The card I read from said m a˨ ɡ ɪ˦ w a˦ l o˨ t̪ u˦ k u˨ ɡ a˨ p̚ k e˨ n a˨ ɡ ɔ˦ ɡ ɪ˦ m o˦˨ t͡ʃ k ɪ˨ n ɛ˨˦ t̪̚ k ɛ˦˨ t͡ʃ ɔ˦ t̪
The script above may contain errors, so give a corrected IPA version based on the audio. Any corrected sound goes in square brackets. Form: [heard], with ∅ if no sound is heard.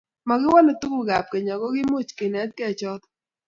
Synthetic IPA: m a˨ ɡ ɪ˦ w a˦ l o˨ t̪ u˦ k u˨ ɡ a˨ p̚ k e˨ [ɲ] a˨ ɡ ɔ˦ ɡ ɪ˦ m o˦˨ t͡ʃ k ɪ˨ n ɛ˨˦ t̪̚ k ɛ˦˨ t͡ʃ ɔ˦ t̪